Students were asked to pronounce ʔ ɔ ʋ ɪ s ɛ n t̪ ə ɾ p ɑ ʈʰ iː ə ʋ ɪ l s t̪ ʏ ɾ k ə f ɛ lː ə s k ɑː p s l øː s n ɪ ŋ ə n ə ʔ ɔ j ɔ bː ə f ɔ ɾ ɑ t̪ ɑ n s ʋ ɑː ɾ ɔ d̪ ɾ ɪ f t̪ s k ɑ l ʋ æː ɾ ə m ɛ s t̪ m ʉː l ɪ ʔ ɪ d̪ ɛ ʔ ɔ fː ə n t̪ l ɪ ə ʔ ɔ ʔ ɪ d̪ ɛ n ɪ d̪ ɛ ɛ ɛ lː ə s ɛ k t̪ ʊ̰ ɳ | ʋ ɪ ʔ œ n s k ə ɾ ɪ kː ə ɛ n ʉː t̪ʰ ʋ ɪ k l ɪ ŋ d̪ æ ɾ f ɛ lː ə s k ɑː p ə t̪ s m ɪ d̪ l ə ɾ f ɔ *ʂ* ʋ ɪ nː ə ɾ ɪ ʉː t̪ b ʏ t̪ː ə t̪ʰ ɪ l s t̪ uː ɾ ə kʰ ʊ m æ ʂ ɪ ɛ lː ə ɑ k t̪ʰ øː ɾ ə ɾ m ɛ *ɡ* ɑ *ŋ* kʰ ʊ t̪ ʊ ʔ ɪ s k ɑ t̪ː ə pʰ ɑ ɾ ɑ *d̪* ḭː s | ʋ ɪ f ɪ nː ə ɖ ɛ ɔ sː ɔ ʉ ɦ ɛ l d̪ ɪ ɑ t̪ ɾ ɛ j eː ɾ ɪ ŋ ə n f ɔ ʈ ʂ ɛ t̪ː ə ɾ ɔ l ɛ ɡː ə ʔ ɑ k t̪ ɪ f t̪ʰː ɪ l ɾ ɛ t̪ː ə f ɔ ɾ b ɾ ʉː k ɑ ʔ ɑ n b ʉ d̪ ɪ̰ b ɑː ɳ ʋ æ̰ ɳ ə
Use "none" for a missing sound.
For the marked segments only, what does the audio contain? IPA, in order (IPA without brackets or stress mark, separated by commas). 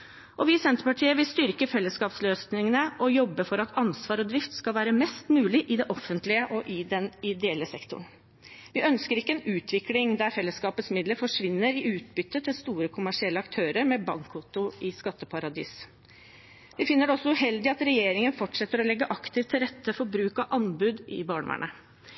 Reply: ʂ, b, ŋ, d̪